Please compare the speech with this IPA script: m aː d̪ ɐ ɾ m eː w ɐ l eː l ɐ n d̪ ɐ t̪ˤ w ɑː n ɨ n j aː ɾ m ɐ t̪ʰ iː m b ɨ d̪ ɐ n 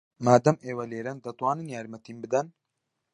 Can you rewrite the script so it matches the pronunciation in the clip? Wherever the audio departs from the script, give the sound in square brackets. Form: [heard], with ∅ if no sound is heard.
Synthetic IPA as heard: m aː d̪ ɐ [∅] m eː w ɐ l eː [ɾ] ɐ n d̪ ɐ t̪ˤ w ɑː n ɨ n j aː ɾ m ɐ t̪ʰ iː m b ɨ d̪ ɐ n